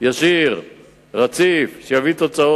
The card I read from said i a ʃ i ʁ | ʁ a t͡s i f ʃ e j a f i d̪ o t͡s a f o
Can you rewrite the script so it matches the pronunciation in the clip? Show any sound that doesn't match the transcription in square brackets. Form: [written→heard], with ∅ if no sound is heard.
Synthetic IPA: [i→j] a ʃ i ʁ | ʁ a t͡s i f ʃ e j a [f→v] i [d̪→t̪] o t͡s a [f→∅] o